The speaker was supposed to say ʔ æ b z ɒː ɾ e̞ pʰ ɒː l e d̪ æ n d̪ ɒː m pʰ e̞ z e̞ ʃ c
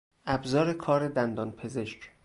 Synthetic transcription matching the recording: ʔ æ b z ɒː ɾ e̞ kʰ ɒː ɾ e d̪ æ n d̪ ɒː n pʰ e̞ z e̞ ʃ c

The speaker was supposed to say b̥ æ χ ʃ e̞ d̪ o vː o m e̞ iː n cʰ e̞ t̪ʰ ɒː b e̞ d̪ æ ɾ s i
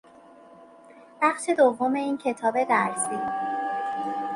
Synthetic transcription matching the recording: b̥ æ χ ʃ e̞ d̪ o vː o m e̞ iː n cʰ e̞ t̪ʰ ɒː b e̞ d̪ æ ɾ s i

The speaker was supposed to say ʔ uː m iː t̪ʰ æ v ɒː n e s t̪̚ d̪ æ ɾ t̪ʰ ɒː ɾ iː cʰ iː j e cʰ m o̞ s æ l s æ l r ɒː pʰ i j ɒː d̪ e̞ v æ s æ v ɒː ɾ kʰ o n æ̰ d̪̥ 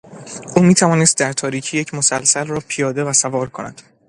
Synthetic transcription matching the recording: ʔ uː m iː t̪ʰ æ v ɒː n e s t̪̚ d̪ æ ɾ t̪ʰ ɒː ɾ iː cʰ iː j e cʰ m o̞ s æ l s æ l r ɒː pʰ i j ɒː d̪ e̞ v æ s æ v ɒː ɾ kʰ o n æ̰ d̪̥

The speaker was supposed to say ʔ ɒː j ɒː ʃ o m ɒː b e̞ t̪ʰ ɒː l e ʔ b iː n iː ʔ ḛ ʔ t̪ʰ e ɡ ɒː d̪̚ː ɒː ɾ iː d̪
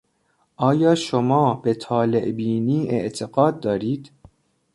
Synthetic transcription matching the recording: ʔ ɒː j ɒː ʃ o m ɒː b e̞ t̪ʰ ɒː l e ʔ b iː n iː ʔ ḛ ʔ t̪ʰ e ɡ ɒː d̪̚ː ɒː ɾ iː d̪

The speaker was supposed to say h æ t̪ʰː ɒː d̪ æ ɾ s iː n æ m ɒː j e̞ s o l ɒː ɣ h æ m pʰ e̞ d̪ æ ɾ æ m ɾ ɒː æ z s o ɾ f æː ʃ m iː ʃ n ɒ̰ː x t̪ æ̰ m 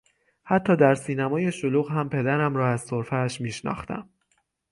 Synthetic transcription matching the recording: h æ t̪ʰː ɒː d̪ æ ɾ s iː n æ m ɒː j e̞ ʃ o l uː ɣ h æ m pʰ e̞ d̪ æ ɾ æ m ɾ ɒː æ z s o ɾ f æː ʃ m iː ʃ n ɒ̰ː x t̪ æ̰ m

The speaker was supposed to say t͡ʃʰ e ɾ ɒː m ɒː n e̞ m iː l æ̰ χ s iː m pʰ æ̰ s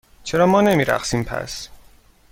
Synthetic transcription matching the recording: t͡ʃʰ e ɾ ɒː m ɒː n e̞ m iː ɾ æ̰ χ s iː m pʰ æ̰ s

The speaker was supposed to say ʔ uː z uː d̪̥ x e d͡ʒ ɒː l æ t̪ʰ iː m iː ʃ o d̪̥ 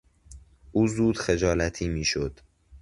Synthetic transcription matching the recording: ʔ uː z uː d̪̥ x e d͡ʒ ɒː l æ t̪ʰ iː m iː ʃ o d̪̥

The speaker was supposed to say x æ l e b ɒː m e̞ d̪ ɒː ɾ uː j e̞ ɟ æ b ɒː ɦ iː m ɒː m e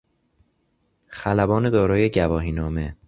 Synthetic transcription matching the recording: x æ l æ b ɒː n e̞ d̪ ɒː ɾ ɒː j e̞ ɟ æ v ɒː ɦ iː n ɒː m e

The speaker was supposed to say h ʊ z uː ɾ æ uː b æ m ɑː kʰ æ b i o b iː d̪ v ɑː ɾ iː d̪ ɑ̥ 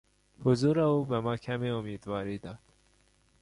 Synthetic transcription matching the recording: h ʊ z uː ɾ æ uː b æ m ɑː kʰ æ m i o m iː d̪ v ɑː ɾ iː d̪ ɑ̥

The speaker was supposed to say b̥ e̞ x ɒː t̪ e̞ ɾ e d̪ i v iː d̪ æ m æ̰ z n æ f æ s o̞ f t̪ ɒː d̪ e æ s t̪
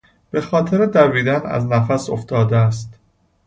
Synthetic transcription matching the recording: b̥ e̞ x ɒː t̪ʰ e̞ ɾ e d̪ æ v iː d̪ æ n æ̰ z n æ f æ s o̞ f t̪ ɒː d̪ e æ s t̪

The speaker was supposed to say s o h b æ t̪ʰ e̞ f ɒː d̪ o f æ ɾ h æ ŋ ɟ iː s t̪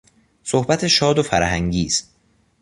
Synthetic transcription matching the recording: s o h b æ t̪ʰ e̞ ʃ ɒː d̪ o f æ ɾ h æ ŋ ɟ iː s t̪

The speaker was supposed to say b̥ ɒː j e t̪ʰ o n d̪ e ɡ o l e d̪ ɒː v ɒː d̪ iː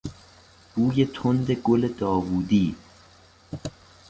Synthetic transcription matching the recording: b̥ uː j e t̪ʰ o n d̪ e ɡ o l e d̪ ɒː v uː d̪ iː

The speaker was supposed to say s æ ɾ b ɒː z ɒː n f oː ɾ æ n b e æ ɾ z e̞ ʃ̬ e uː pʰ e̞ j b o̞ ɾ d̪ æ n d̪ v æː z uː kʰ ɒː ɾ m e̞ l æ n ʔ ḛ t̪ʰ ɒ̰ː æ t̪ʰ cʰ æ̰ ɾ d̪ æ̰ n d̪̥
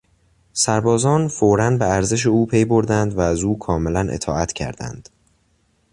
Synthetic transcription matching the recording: s æ ɾ b ɒː z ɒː n f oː ɾ æ n b e æ ɾ z e̞ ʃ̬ e uː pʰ e̞ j b o̞ ɾ d̪ æ n d̪ v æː z uː kʰ ɒː m e̞ l æ n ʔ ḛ t̪ʰ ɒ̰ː æ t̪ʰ cʰ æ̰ ɾ d̪ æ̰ n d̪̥

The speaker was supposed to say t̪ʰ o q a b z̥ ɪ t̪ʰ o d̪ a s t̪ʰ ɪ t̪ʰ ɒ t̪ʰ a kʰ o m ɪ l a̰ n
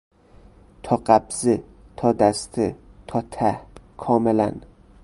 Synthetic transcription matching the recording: t̪ʰ ɒ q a b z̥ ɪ t̪ʰ ɒ d̪ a s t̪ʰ ɪ t̪ʰ ɒ t̪ʰ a kʰ ɒ m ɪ l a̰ n

